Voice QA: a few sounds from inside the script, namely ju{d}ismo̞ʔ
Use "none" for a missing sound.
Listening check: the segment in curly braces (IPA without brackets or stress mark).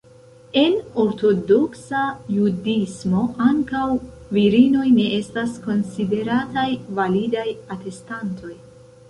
d